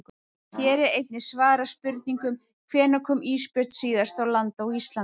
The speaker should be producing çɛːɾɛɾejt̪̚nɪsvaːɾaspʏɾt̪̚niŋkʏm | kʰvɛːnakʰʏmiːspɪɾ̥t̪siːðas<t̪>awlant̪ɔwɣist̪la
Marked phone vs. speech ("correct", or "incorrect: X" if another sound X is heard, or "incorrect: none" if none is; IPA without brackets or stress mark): correct